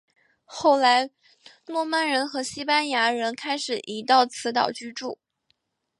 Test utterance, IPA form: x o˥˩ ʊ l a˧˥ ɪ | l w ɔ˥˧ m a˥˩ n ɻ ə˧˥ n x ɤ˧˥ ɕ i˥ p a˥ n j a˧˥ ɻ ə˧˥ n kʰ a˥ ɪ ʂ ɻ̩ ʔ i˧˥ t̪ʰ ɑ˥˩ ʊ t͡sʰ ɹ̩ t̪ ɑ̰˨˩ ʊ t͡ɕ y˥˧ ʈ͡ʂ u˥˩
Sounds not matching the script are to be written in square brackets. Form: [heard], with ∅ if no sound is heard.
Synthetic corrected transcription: x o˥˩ ʊ l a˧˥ ɪ | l w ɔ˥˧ m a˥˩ n ɻ ə˧˥ n x ɤ˧˥ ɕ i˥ p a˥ n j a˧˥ ɻ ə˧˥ n kʰ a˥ ɪ ʂ ɻ̩ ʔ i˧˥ [t̪] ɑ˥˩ ʊ t͡sʰ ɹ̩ t̪ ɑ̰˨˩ ʊ t͡ɕ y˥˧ ʈ͡ʂ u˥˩

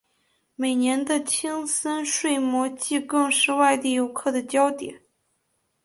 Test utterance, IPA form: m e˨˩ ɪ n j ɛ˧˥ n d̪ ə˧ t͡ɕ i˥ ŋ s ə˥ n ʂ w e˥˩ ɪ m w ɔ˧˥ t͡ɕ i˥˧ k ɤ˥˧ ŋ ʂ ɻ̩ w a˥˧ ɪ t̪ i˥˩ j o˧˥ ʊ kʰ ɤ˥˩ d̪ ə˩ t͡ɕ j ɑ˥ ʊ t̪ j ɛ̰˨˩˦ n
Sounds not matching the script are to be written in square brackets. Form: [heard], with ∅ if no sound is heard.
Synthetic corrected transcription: m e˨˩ ɪ n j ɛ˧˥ n d̪ ə˧ [t͡ɕʰ] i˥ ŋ s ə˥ n ʂ w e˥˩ ɪ m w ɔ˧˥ t͡ɕ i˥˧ k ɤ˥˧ ŋ ʂ ɻ̩ w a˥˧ ɪ t̪ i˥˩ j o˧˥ ʊ kʰ ɤ˥˩ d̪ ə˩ t͡ɕ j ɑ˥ ʊ t̪ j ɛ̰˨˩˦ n

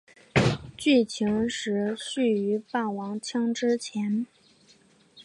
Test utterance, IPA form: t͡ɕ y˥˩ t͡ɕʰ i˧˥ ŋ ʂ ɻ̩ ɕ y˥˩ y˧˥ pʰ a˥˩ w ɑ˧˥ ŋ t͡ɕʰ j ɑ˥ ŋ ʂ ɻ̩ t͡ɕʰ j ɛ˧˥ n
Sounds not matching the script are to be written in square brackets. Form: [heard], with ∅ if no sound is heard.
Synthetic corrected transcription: t͡ɕ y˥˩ t͡ɕʰ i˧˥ ŋ ʂ ɻ̩ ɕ y˥˩ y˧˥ [p] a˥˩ w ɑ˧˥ ŋ t͡ɕʰ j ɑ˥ ŋ [ʈ͡ʂ] ɻ̩ t͡ɕʰ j ɛ˧˥ n

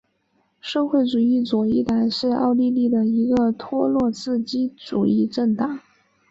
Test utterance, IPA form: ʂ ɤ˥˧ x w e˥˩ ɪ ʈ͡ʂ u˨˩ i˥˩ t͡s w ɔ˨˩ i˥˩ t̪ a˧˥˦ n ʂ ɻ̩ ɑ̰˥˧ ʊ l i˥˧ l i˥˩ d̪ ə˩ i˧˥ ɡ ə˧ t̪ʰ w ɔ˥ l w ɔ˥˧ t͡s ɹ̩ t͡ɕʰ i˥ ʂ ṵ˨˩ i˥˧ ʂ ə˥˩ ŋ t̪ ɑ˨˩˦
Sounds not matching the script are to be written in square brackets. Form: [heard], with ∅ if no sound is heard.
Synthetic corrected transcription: ʂ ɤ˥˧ x w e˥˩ ɪ ʈ͡ʂ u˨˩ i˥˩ t͡s w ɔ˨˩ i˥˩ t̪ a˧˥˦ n ʂ ɻ̩ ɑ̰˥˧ ʊ l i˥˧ l i˥˩ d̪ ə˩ i˧˥ ɡ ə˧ t̪ʰ w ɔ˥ l w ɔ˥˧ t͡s ɹ̩ [t͡ɕ] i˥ [ʈ͡ʂ] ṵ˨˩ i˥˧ [ʈ͡ʂ] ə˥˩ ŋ t̪ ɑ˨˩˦

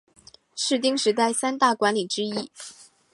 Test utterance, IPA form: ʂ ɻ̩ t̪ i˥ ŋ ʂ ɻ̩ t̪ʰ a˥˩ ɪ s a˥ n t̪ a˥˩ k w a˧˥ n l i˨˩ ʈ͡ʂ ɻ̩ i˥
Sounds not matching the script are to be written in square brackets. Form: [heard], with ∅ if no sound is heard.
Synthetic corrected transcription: ʂ ɻ̩ t̪ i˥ ŋ ʂ ɻ̩ [t̪] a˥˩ ɪ s a˥ n t̪ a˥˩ k w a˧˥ n l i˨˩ ʈ͡ʂ ɻ̩ i˥

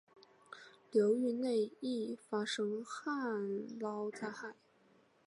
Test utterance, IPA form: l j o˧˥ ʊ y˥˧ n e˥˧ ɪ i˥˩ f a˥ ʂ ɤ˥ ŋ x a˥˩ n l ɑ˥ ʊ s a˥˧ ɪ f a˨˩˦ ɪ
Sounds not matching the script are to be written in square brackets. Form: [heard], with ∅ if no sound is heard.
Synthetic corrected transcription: l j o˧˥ ʊ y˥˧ n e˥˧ ɪ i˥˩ f a˥ ʂ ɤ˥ ŋ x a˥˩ n l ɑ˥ ʊ [t͡s] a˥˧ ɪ [x] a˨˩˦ ɪ

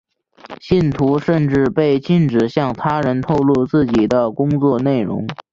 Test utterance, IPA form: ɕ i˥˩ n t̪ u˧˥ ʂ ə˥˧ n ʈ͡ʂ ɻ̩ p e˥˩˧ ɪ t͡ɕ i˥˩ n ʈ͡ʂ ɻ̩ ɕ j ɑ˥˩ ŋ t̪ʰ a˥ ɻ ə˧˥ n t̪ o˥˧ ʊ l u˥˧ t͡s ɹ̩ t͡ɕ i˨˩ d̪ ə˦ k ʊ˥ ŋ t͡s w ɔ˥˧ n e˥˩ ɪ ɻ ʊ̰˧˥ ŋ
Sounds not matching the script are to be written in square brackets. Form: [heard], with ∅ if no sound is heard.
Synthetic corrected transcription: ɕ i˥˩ n [t̪ʰ] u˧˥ ʂ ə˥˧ n ʈ͡ʂ ɻ̩ p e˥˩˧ ɪ t͡ɕ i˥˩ n ʈ͡ʂ ɻ̩ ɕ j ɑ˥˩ ŋ t̪ʰ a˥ ɻ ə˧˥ n [t̪ʰ] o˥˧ ʊ l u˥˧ t͡s ɹ̩ t͡ɕ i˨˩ d̪ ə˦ k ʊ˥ ŋ t͡s w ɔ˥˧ n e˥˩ ɪ ɻ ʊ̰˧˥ ŋ

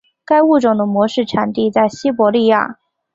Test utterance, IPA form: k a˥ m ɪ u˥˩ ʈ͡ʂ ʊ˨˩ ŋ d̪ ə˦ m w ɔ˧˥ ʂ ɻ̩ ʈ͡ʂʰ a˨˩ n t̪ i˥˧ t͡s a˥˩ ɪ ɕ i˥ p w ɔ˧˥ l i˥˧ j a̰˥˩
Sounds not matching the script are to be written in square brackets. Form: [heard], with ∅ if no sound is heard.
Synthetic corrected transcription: k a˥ [∅] ɪ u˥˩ ʈ͡ʂ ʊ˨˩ ŋ d̪ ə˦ m w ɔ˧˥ ʂ ɻ̩ ʈ͡ʂʰ a˨˩ n t̪ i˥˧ t͡s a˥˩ ɪ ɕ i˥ p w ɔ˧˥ l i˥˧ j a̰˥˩

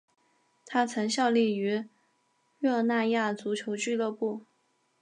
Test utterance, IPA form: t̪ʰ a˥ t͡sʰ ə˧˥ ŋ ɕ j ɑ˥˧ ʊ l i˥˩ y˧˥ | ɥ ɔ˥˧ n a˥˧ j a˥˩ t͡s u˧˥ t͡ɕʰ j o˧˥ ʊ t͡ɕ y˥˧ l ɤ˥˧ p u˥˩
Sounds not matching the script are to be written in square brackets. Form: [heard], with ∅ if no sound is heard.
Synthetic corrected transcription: t̪ʰ a˥ t͡sʰ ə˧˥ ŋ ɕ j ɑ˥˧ ʊ l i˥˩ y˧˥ | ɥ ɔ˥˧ n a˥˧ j a˥˩ t͡s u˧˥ t͡ɕʰ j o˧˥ ʊ t͡ɕ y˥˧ l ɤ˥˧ p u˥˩

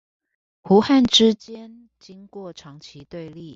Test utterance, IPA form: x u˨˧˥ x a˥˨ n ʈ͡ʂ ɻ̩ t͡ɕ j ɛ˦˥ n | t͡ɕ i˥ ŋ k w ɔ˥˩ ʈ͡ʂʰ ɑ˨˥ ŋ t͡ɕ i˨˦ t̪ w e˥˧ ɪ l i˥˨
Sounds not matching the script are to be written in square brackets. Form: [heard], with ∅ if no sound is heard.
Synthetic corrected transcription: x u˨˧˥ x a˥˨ n ʈ͡ʂ ɻ̩ t͡ɕ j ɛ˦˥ n | t͡ɕ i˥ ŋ k w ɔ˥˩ ʈ͡ʂʰ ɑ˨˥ ŋ [t͡ɕʰ] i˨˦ t̪ w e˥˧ ɪ l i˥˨

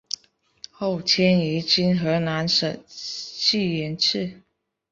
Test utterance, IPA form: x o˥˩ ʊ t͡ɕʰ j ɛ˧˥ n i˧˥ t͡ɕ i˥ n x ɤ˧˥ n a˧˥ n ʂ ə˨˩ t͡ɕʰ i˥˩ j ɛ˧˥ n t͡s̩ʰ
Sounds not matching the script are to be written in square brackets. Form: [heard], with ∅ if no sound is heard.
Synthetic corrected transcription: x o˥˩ ʊ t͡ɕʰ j [ɛ˥] n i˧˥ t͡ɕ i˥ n x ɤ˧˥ n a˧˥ n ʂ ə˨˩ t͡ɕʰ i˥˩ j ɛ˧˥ n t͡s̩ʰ

